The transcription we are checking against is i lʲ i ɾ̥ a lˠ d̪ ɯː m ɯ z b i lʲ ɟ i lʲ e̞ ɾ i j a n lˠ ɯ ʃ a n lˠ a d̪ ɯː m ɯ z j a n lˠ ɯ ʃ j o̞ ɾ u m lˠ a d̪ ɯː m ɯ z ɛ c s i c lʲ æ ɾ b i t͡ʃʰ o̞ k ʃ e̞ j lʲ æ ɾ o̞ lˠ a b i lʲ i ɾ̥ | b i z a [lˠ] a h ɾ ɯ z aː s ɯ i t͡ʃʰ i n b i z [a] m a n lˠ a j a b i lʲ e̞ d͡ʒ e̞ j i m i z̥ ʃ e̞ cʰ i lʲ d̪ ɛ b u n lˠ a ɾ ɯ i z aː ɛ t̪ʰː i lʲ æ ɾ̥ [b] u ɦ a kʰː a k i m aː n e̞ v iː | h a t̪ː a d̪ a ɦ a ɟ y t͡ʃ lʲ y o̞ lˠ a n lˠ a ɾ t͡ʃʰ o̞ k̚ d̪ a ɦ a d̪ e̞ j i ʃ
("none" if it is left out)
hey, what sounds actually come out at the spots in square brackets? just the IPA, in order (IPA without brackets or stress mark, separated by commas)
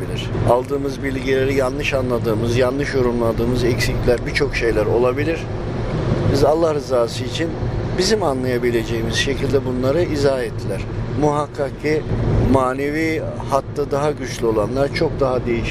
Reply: lˠː, i, m